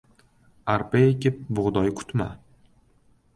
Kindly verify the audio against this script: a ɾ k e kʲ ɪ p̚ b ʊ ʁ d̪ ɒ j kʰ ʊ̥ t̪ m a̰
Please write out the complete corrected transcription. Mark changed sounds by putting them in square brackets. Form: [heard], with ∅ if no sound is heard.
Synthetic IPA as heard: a ɾ [p] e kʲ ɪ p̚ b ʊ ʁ d̪ ɒ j kʰ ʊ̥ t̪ m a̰